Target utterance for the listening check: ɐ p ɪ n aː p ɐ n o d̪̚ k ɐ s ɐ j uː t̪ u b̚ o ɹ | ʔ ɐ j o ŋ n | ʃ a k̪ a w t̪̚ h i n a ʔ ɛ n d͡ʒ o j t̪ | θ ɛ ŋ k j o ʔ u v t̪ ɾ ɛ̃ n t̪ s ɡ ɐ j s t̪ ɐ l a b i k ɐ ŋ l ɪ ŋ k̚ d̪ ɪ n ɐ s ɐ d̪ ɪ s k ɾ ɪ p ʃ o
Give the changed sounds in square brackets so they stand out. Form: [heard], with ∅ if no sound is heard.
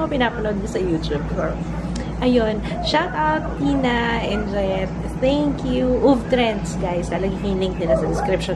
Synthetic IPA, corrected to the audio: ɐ p ɪ n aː p ɐ n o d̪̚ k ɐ s ɐ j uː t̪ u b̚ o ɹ | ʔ ɐ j o [∅] n | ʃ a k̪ a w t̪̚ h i n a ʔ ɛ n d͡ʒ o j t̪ | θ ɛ ŋ k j [u] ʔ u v t̪ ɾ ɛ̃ n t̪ s ɡ [a] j s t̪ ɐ l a [ɡ] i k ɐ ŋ l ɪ ŋ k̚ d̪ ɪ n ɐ s ɐ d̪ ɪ s k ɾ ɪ p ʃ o